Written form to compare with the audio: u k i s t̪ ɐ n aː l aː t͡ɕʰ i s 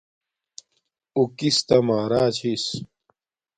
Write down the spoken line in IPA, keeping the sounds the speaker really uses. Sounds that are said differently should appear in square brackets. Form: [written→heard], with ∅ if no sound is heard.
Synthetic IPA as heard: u k i s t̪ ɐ [n→m] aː [l→ɾ] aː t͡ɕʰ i s